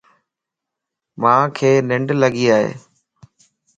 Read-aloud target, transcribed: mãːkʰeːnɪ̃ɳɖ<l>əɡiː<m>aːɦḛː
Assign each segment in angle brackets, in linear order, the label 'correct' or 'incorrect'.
correct, incorrect

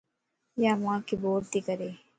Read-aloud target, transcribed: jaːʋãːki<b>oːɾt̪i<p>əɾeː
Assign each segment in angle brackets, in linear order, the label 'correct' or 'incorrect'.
correct, incorrect

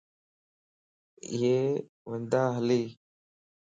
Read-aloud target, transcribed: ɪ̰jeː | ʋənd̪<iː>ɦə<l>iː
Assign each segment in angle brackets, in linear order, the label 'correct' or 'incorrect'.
incorrect, correct

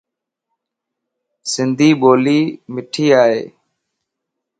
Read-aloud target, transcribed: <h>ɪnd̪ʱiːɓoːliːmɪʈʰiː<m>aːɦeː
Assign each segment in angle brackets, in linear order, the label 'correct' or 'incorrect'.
incorrect, incorrect

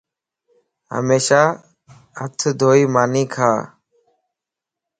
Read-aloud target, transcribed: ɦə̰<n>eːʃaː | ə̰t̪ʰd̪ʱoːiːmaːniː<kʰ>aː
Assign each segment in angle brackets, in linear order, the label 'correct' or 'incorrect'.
incorrect, correct

